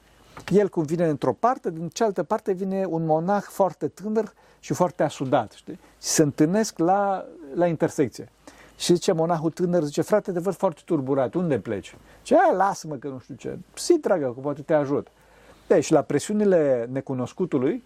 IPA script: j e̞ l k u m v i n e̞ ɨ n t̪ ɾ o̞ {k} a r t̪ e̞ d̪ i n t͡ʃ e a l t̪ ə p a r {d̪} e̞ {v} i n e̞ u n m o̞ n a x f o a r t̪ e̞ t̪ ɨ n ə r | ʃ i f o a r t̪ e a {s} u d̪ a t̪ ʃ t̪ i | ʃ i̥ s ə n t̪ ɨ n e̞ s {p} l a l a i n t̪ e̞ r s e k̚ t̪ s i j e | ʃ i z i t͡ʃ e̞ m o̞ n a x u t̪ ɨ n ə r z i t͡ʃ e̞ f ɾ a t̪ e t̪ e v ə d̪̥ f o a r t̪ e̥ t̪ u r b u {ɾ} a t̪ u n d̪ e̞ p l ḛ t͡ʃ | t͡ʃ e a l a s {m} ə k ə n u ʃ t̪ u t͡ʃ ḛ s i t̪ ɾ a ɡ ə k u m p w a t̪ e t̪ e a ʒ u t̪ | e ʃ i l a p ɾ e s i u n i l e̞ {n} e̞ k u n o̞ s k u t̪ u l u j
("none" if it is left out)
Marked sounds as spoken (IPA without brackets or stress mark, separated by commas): p, t̪, v, s, k, ɾ, m, n